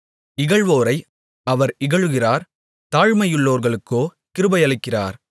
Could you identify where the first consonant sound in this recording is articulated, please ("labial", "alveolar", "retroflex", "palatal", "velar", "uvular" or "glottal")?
velar